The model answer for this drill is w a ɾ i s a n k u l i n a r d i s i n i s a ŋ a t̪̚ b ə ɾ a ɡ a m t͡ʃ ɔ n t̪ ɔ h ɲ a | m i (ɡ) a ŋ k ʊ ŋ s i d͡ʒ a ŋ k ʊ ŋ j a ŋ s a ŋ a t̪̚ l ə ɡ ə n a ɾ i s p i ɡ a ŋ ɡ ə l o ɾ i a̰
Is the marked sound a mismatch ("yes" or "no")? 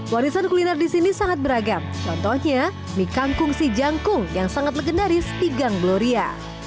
yes